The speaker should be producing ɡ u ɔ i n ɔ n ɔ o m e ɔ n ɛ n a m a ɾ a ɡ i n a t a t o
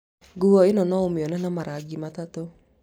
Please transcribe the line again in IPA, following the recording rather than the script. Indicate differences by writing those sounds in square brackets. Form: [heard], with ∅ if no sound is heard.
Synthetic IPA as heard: ɡ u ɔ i n ɔ n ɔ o m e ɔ n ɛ n a m a ɾ a ɡ i [m] a t a t o